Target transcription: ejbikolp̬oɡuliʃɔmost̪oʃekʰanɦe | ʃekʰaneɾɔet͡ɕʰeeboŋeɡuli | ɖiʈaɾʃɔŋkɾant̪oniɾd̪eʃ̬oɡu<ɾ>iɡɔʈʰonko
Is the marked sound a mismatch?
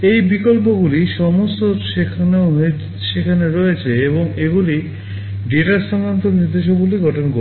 yes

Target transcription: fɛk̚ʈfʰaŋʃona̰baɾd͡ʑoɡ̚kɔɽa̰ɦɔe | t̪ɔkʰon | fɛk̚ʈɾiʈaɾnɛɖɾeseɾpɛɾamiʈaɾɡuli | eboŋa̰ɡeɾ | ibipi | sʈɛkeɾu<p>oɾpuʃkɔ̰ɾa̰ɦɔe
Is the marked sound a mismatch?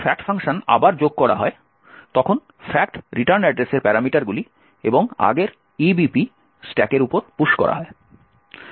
no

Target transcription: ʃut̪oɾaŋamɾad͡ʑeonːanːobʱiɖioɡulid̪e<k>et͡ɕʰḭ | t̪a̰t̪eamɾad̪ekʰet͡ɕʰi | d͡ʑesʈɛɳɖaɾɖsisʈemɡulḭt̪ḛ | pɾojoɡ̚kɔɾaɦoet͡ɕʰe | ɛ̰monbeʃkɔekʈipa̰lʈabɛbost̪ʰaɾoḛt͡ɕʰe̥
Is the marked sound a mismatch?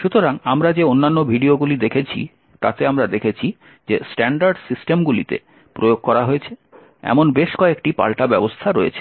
yes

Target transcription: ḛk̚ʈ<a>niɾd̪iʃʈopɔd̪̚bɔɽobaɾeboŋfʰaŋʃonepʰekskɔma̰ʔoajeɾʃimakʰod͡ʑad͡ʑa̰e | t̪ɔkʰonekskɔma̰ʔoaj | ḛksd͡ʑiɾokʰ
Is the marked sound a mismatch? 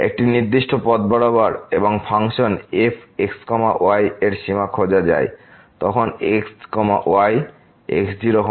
yes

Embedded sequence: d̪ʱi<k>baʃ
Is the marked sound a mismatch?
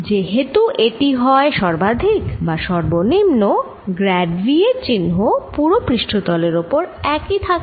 no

